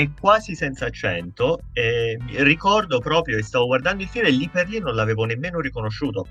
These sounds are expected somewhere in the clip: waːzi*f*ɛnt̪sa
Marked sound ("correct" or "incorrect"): incorrect